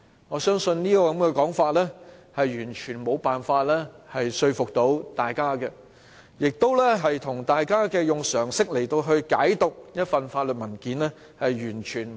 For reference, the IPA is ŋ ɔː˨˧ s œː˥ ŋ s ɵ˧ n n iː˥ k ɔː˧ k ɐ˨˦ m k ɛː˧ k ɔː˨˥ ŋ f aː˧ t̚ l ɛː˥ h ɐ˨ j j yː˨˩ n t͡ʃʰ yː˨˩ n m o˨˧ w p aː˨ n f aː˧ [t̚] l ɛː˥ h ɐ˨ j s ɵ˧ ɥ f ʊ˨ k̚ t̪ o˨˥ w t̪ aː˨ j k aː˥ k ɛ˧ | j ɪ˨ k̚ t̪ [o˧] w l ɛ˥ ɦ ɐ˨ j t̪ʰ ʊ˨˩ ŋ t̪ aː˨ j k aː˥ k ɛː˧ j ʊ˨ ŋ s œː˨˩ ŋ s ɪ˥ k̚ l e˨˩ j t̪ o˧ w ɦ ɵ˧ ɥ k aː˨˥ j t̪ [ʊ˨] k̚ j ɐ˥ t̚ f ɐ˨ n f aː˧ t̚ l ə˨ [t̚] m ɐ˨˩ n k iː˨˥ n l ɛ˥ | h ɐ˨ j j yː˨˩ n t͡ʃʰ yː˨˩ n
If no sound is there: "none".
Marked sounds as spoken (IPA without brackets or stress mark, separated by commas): t̚, o˥, ʊ˨, t̚